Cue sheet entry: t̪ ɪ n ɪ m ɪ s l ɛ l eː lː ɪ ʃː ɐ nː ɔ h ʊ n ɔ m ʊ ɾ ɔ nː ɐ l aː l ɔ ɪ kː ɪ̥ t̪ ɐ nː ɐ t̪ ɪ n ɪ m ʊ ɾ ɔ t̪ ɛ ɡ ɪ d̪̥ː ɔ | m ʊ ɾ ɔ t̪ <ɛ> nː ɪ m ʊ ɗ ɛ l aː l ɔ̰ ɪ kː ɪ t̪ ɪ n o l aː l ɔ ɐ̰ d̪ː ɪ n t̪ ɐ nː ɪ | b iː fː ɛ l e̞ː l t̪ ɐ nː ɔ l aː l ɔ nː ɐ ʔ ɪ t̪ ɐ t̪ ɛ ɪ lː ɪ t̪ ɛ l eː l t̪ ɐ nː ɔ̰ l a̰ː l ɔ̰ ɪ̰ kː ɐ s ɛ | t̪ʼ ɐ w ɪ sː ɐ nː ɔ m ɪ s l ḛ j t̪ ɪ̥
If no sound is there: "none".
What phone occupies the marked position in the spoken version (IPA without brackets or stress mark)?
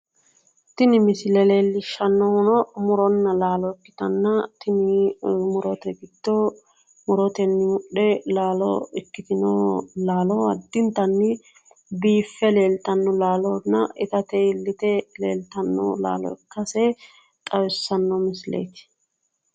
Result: ɛ